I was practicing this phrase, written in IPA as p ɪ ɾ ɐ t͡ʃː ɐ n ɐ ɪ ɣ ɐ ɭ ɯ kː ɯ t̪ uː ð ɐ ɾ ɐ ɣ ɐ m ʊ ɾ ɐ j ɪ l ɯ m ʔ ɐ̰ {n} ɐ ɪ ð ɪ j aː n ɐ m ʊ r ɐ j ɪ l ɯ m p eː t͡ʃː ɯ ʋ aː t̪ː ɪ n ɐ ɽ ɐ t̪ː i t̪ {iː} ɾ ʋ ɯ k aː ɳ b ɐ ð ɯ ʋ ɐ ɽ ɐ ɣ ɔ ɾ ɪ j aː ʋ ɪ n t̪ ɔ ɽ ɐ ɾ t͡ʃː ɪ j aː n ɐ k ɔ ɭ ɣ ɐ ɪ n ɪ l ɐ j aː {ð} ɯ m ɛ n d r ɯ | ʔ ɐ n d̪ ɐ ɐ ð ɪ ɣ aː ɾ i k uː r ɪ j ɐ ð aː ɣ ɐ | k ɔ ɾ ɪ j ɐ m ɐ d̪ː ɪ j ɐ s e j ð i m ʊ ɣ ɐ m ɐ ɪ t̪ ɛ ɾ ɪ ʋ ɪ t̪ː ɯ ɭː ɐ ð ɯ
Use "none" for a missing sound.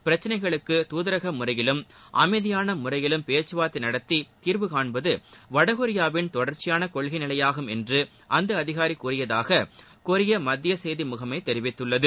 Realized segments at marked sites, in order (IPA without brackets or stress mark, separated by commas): m, iː, ɣ